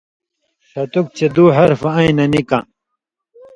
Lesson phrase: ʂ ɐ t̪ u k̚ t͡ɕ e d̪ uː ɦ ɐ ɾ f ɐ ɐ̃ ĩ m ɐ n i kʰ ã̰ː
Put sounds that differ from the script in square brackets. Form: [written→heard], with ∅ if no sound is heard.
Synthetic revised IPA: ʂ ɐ t̪ u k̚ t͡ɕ e d̪ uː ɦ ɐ ɾ f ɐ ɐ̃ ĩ [m→n] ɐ n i [kʰ→k] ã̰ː